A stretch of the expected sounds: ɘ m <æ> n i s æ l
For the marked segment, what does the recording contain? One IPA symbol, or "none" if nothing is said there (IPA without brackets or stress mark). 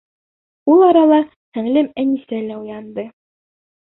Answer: æ